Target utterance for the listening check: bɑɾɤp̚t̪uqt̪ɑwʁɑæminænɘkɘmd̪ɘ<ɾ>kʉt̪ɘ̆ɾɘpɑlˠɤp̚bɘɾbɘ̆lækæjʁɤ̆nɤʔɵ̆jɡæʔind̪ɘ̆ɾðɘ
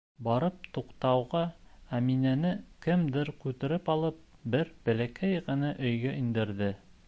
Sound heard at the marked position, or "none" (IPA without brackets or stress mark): ɾ